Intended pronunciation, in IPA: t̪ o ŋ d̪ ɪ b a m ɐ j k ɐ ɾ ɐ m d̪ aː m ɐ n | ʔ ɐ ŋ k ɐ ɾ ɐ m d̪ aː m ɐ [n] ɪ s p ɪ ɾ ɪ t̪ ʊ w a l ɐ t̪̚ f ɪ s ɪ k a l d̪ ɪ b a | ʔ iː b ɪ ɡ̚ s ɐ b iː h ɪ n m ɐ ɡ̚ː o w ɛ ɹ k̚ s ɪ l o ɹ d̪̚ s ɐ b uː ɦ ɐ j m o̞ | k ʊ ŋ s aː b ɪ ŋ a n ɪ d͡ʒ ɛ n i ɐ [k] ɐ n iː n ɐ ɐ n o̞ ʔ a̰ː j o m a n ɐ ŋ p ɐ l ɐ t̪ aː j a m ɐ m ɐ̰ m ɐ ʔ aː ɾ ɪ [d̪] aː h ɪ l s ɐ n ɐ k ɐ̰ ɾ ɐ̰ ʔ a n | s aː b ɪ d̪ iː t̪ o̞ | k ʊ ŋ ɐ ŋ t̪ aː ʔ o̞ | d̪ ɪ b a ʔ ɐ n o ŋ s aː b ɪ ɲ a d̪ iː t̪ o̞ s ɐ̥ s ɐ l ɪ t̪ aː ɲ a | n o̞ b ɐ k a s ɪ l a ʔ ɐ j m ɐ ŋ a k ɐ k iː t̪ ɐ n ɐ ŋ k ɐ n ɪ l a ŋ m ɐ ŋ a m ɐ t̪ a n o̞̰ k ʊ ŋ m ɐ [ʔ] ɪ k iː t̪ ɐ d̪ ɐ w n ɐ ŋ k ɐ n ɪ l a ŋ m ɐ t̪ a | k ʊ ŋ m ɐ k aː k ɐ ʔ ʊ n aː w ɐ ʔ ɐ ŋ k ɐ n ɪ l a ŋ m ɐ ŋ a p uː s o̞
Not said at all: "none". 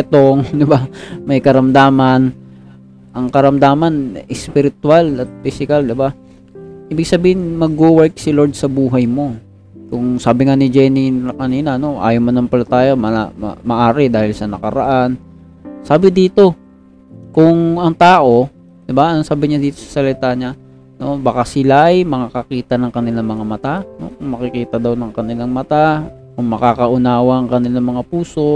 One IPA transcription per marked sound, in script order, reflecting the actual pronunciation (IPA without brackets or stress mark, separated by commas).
n, k, d̪, k